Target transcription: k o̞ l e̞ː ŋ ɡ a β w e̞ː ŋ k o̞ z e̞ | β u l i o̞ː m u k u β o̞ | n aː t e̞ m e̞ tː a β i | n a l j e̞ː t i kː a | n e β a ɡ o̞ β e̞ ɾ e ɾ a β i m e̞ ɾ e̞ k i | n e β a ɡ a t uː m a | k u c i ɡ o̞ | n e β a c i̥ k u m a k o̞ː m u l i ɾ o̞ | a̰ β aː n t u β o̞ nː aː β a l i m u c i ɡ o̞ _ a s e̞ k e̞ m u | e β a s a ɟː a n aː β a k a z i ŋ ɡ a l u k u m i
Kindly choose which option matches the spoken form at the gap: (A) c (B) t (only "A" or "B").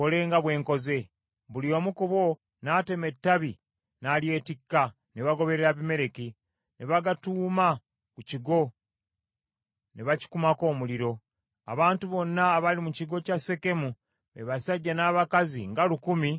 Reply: A